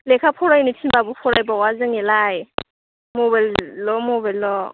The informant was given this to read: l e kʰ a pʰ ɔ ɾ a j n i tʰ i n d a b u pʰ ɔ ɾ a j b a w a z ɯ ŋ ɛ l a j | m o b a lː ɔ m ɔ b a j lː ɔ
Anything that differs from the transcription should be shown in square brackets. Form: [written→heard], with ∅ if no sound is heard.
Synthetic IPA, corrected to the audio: l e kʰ a pʰ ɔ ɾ a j n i tʰ i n [d→b] a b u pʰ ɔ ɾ a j b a w a z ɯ ŋ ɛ l a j | m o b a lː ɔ m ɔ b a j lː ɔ